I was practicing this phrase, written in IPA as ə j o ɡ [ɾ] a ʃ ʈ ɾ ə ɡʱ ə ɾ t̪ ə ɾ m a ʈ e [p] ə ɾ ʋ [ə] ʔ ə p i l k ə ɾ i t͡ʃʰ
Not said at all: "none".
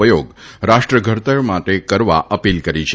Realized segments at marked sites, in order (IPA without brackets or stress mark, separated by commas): ɾ, k, a